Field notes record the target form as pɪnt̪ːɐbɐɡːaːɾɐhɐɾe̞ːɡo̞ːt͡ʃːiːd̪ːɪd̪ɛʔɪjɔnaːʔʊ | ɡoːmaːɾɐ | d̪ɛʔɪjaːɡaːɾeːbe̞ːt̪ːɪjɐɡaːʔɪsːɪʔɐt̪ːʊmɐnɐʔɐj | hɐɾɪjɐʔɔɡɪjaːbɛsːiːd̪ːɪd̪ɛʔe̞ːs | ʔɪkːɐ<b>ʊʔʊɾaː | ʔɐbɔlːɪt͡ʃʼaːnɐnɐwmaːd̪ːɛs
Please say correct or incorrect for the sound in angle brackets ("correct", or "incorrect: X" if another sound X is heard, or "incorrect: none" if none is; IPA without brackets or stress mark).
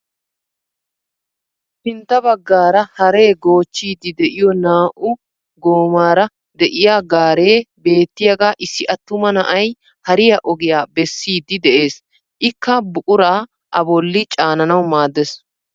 correct